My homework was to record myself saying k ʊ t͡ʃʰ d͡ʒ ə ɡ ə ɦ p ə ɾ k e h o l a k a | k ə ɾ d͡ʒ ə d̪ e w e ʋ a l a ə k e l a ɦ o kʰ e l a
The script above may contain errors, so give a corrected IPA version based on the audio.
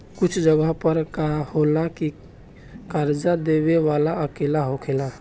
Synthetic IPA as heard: k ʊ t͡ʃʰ d͡ʒ ə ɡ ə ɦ p ə ɾ k a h o l a k i | k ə ɾ d͡ʒ a d̪ e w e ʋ a l a ə k e l a ɦ o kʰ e l a